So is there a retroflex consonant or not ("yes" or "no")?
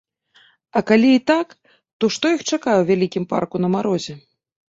yes